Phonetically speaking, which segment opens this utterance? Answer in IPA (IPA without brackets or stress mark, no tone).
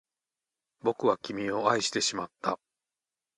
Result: b